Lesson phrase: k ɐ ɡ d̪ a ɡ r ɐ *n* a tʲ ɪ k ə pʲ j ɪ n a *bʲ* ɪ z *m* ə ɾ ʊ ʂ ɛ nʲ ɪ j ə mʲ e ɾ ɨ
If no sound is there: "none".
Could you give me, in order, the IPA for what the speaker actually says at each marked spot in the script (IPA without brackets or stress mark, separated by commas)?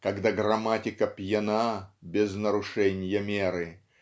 m, bʲ, n